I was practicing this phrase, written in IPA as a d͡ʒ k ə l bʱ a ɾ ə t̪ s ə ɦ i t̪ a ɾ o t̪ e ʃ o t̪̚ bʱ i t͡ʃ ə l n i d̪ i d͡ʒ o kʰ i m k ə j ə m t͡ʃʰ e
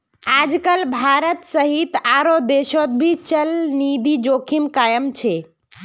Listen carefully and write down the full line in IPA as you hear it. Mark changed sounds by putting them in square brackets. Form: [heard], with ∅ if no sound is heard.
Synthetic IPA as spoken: a d͡ʒ k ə l bʱ a ɾ ə t̪ s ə ɦ i t̪ a ɾ o [d̪] e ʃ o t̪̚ bʱ i t͡ʃ ə l n i d̪ i d͡ʒ o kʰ i m k [a] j ə m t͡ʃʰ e